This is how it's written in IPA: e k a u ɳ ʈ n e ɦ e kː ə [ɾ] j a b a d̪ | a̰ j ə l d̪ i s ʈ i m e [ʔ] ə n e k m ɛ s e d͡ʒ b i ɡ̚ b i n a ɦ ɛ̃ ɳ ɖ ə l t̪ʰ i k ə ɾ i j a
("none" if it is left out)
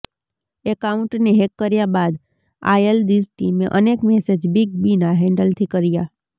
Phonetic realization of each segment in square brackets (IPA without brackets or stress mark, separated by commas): ɾ, ʔ